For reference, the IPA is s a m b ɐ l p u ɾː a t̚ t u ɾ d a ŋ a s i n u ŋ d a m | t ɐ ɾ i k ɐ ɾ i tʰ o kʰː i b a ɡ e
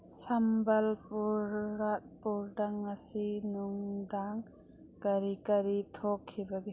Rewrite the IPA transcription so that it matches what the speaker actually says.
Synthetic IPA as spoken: s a m b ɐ l p u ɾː a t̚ p u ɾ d a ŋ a s i n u ŋ d a ŋ | k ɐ ɾ i k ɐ ɾ i tʰ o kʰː i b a ɡ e